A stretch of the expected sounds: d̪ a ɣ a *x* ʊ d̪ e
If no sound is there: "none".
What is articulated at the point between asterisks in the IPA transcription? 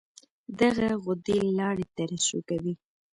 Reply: ɣ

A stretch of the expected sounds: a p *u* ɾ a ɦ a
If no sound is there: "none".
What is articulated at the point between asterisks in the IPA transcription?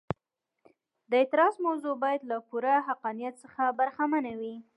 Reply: u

